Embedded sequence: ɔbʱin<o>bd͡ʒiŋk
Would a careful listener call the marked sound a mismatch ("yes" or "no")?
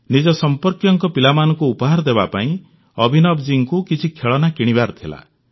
yes